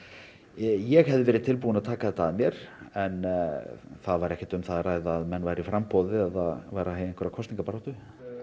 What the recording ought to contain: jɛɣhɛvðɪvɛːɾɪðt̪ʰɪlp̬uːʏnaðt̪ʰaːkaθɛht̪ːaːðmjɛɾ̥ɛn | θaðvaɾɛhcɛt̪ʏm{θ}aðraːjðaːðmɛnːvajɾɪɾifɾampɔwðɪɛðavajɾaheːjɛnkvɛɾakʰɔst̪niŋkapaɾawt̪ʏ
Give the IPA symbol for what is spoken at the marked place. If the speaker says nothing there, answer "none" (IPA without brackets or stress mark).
θ